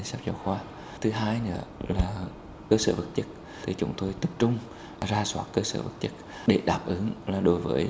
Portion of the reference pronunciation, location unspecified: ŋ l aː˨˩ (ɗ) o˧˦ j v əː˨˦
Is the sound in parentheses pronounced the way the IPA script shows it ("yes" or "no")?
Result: yes